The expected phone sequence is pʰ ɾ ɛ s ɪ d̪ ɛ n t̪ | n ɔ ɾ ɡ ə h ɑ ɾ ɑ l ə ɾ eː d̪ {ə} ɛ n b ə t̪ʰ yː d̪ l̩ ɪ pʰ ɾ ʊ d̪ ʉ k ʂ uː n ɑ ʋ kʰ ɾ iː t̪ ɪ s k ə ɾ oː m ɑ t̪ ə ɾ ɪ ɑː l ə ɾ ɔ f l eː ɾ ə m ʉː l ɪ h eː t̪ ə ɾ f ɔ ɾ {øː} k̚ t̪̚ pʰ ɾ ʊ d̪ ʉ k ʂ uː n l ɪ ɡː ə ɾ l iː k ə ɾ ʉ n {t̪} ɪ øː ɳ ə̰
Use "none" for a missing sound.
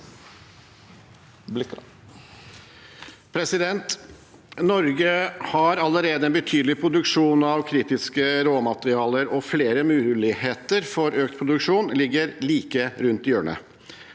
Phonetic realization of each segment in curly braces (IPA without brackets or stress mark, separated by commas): ə, øː, t̪